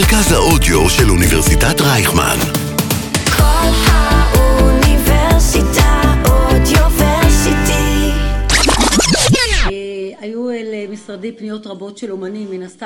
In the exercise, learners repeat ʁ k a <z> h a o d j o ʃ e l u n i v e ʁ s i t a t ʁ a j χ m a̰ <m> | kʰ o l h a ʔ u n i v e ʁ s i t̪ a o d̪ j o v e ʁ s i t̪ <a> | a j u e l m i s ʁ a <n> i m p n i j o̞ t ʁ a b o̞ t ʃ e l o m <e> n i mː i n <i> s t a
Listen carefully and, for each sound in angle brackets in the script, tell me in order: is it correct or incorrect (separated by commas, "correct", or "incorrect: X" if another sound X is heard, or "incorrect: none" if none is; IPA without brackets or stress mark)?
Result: correct, incorrect: n, incorrect: i, incorrect: d, incorrect: a, incorrect: a